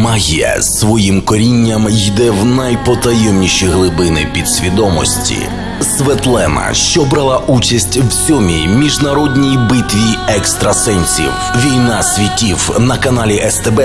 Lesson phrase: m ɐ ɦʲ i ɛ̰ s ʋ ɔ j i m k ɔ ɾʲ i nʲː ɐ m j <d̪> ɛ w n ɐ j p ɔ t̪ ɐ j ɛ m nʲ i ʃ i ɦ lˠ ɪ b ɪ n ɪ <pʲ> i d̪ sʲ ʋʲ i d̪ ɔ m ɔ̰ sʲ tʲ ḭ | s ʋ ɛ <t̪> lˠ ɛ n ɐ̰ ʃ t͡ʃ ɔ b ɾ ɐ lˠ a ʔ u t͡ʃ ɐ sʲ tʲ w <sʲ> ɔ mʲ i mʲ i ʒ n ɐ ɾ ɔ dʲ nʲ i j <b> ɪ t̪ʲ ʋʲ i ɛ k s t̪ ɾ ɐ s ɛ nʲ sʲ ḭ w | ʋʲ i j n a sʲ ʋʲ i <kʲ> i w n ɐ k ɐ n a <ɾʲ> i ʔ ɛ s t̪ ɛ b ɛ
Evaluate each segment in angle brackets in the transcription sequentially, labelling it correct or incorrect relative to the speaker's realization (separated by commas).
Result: correct, correct, correct, correct, correct, incorrect, incorrect